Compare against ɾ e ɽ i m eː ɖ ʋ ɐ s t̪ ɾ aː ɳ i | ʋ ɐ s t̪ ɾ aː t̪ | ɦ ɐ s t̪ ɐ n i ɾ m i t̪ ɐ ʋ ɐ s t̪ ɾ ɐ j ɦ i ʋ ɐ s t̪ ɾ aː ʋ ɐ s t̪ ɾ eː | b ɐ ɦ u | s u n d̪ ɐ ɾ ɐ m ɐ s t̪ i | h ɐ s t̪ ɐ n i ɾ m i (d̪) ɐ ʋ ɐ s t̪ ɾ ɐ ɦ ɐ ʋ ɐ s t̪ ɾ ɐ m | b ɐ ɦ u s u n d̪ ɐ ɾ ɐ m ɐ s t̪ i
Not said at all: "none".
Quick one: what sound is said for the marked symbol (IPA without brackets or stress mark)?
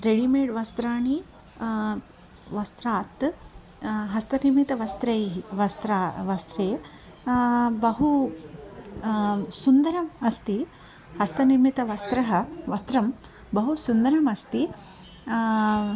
t̪